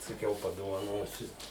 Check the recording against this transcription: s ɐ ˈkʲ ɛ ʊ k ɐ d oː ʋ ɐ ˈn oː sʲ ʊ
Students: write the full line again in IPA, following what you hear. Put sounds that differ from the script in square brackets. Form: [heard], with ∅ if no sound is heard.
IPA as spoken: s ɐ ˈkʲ ɛ ʊ [p] ɐ d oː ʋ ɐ ˈn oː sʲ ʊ